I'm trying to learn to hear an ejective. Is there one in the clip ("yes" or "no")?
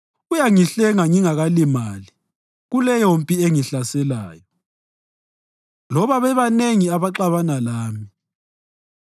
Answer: yes